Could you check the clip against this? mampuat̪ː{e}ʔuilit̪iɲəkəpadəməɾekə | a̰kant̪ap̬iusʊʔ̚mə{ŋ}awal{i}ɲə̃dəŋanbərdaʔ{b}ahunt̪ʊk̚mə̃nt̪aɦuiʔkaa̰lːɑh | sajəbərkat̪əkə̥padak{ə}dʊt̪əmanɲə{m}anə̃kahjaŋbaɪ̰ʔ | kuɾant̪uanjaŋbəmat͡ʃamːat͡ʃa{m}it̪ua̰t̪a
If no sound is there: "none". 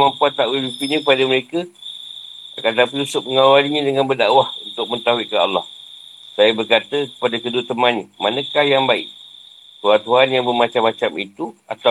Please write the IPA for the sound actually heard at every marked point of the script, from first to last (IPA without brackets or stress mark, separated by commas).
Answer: a, ŋ, i, w, ə, m, m